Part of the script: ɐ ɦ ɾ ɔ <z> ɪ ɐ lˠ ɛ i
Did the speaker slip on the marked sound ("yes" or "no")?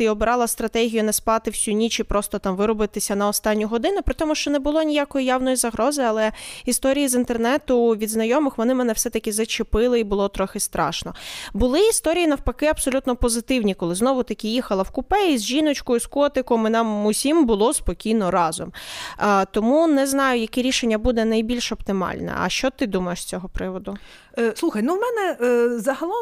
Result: no